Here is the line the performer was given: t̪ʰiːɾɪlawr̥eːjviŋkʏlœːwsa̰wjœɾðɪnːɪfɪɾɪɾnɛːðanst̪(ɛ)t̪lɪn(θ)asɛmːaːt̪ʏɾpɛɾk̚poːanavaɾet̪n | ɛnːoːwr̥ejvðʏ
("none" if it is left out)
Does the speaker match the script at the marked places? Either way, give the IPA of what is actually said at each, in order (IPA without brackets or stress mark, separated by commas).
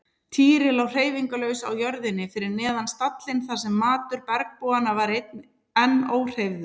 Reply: a, θ